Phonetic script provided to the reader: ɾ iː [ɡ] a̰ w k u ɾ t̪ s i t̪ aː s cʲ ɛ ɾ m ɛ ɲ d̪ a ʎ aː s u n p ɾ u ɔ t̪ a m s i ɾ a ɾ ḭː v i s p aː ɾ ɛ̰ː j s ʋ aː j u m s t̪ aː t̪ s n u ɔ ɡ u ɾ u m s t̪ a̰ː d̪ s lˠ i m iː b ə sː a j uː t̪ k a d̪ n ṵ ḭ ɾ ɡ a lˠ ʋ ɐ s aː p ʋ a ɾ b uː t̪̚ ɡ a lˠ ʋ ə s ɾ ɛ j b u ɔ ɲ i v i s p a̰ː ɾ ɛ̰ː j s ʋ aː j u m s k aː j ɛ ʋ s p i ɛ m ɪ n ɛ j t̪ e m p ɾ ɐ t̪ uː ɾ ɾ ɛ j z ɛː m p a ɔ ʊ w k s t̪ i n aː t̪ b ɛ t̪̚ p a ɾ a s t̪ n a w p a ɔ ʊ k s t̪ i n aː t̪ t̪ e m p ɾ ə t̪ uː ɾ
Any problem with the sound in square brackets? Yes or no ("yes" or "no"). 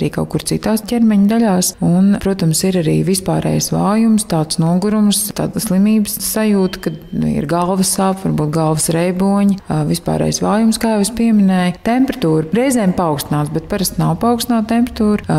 yes